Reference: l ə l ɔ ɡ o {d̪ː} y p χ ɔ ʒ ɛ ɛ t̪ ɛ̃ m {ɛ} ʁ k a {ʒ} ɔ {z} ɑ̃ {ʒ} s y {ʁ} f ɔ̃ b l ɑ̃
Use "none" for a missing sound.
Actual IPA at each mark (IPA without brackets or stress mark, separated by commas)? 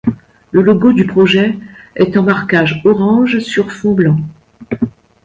d̪, a, ʒ, ʁ, ʒ, ʁ